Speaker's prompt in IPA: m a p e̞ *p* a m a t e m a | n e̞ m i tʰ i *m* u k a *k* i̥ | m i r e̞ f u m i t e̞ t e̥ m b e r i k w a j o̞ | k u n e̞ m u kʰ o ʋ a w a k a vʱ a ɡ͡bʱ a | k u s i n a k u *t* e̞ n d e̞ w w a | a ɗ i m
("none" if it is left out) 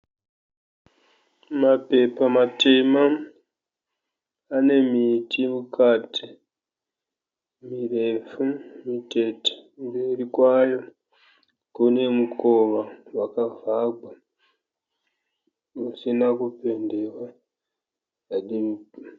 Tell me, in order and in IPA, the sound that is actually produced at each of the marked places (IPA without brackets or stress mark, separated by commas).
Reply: p, m, t, p